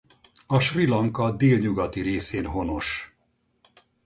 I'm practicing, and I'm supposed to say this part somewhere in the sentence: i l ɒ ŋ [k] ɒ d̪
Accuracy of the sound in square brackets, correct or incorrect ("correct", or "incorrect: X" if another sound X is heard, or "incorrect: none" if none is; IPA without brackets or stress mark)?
correct